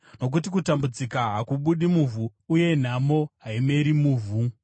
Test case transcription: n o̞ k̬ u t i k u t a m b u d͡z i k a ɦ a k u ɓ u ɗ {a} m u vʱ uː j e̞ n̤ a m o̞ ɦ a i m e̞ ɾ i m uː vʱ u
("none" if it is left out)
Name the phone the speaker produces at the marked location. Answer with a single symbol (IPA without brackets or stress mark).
i